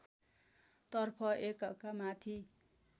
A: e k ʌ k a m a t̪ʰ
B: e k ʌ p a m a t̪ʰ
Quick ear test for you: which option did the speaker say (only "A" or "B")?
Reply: A